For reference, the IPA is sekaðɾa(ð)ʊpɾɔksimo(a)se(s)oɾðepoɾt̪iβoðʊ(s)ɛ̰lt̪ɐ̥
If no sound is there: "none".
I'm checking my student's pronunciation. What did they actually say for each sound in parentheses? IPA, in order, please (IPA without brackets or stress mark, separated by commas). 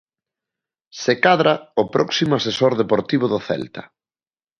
none, a, s, θ